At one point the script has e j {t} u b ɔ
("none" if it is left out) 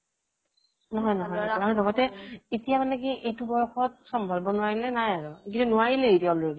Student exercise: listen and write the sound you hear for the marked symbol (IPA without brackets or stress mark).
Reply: t